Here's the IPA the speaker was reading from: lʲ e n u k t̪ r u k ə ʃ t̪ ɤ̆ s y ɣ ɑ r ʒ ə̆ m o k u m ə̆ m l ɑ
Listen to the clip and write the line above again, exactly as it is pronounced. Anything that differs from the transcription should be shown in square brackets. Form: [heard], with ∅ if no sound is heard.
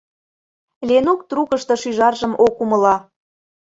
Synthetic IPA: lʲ e n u k t̪ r u k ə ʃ t̪ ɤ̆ [ʃ] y [ʒ] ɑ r ʒ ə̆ m o k u m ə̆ [∅] l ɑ